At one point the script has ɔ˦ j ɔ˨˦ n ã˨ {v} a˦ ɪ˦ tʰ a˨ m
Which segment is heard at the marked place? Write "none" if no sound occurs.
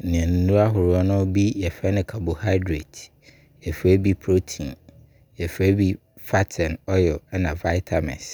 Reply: v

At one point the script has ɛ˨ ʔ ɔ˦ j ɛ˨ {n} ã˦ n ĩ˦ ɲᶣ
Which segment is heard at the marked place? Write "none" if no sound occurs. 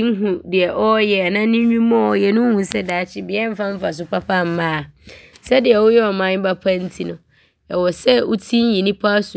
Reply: n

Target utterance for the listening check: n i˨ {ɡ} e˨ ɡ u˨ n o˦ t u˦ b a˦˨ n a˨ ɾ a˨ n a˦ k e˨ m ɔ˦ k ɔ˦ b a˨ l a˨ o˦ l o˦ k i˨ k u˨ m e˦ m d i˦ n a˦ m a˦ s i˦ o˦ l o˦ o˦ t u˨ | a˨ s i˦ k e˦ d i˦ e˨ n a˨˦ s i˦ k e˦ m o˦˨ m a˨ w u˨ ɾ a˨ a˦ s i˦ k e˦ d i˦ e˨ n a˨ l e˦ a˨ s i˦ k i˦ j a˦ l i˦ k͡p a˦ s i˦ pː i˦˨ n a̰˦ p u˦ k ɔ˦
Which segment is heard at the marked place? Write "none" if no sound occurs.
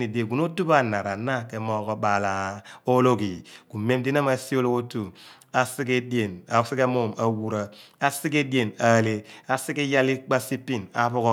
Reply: d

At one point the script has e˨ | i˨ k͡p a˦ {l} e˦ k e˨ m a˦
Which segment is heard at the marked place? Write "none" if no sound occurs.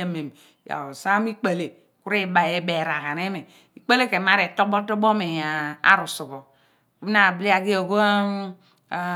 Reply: l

